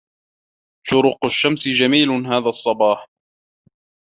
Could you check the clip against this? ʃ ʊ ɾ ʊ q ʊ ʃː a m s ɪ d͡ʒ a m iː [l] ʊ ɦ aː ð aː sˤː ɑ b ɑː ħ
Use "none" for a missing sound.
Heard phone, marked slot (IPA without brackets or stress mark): l